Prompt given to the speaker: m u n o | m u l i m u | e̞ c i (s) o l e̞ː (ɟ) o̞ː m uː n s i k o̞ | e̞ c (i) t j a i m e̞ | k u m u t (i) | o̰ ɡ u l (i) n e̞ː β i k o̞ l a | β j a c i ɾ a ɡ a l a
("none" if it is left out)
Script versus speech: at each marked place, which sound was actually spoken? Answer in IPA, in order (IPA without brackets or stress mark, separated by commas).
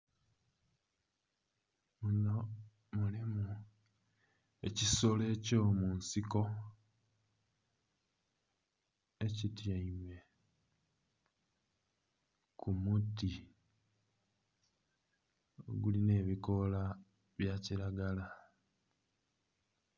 s, c, i, i, i